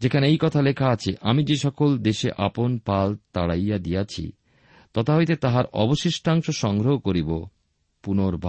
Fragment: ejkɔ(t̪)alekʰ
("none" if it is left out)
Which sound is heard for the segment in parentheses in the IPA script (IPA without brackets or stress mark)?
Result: t̪ʰ